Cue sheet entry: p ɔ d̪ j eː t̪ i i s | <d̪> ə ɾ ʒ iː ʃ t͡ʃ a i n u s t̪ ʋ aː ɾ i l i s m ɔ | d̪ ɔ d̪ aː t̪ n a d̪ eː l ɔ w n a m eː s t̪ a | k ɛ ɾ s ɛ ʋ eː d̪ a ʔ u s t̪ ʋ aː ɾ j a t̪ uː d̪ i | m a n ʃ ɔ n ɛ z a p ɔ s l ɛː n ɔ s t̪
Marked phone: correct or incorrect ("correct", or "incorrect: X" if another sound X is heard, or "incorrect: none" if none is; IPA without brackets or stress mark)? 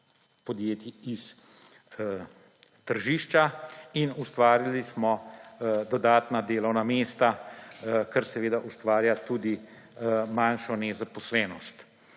incorrect: t̪